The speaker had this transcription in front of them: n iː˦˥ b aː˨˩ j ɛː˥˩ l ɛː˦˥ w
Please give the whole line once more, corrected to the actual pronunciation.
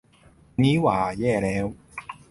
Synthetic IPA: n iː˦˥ w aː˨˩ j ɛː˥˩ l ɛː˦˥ w